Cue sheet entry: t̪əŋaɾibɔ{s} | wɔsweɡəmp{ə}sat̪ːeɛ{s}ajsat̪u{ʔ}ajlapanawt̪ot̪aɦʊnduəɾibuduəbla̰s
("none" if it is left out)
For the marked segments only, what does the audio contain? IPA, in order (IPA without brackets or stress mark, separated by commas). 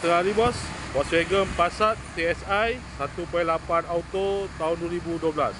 s, a, s, p